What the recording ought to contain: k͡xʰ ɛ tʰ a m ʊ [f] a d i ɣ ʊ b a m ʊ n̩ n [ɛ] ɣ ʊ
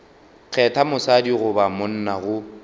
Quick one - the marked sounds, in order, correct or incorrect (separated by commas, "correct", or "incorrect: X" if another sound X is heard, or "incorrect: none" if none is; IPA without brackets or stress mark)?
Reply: incorrect: s, incorrect: a